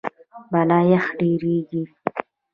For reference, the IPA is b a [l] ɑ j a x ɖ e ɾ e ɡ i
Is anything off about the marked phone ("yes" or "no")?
no